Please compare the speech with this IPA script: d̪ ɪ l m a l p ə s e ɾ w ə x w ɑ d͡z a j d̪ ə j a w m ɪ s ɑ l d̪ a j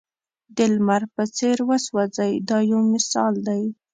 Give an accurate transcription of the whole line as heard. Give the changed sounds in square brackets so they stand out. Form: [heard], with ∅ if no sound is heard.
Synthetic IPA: d̪ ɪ l m a [ɾ] p ə [t͡s] e ɾ w ə [s] w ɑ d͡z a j d̪ [ɑ] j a w m ɪ s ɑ l d̪ a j